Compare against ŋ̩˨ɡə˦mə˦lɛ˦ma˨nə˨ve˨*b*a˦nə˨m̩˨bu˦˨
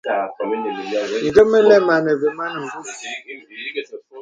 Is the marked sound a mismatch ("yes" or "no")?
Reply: yes